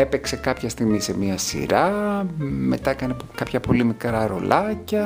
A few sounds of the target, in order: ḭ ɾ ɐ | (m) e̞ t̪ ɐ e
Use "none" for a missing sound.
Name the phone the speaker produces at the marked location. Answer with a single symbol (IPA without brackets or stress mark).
m